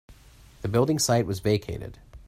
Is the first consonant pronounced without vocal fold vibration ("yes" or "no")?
no